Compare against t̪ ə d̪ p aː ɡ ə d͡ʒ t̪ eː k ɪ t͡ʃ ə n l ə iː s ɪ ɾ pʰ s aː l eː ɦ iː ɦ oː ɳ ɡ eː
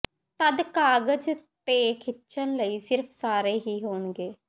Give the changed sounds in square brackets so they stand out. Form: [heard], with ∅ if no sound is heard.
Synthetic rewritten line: t̪ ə d̪ [k] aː ɡ ə d͡ʒ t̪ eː [kʰ] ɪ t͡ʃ ə n l ə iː s ɪ ɾ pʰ s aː [ɾ] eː ɦ iː ɦ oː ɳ ɡ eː